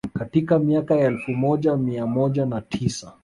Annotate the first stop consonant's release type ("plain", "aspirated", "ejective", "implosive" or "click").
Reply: plain